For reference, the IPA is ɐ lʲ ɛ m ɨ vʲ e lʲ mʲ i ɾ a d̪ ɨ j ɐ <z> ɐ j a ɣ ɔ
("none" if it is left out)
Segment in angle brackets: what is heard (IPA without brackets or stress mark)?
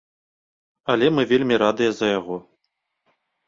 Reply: z